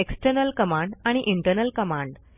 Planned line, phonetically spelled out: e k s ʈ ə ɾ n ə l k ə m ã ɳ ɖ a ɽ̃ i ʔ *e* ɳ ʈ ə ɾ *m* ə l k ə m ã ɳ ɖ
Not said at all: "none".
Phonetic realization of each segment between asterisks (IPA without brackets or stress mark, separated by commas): i, n